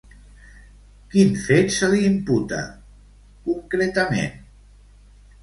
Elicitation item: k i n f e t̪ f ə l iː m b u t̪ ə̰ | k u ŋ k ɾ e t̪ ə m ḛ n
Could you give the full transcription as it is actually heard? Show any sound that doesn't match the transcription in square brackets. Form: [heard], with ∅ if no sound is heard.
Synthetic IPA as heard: k i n f e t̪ [s] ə l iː m [p] u t̪ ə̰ | k u ŋ k ɾ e t̪ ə m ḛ n